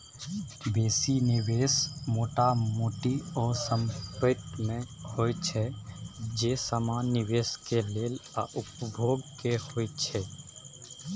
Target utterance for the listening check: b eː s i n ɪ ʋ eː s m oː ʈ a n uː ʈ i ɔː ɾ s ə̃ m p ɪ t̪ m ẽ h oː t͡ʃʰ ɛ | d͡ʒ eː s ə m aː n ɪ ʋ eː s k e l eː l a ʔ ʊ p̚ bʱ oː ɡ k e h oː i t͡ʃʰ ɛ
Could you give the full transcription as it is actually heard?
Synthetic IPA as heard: b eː s i n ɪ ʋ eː s m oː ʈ a m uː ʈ i ɔː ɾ s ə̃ m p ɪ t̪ m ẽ h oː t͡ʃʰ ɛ | d͡ʒ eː s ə m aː n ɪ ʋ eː s k e l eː l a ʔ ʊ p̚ bʱ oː ɡ k e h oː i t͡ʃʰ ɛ